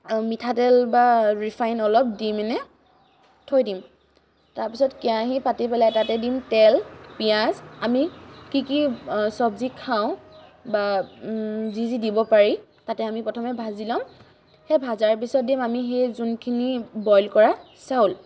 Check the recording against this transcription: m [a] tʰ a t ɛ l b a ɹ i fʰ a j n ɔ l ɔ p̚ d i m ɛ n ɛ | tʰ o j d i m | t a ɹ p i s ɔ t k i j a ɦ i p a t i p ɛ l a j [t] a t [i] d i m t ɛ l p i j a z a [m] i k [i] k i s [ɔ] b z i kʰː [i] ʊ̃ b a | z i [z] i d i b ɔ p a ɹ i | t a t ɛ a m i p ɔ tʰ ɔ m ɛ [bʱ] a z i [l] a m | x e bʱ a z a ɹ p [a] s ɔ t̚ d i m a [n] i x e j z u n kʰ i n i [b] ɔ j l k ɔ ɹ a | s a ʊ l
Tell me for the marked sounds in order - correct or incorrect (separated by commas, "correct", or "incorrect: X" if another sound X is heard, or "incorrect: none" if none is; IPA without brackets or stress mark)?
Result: incorrect: i, correct, incorrect: ɛ, correct, correct, correct, incorrect: a, correct, correct, correct, incorrect: i, incorrect: m, correct